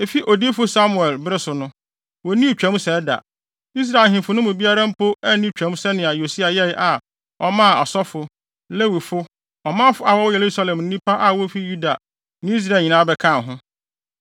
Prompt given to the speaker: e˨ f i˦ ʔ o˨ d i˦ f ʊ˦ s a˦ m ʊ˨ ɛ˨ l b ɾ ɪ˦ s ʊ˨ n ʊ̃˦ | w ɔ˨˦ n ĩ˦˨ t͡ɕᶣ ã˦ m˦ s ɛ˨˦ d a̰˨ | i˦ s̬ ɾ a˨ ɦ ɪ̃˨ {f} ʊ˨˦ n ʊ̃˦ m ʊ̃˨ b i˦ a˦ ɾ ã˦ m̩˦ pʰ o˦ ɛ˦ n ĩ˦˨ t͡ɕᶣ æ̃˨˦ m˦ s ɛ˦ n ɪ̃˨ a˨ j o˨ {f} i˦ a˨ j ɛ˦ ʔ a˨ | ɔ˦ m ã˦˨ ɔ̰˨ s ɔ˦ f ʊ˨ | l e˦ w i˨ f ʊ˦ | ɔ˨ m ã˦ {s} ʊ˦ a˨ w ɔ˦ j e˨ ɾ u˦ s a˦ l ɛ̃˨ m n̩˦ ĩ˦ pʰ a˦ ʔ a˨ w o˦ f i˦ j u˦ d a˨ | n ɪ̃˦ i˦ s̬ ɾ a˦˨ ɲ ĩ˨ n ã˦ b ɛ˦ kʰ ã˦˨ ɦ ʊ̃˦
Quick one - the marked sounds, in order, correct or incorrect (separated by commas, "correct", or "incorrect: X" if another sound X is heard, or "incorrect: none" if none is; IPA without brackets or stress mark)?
correct, incorrect: s, incorrect: f